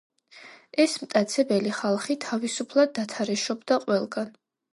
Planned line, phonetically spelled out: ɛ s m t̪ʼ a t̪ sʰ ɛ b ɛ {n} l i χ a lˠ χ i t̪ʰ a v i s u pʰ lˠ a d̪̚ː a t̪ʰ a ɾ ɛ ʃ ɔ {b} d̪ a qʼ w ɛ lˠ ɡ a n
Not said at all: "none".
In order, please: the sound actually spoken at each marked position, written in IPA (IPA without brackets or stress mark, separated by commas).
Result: none, b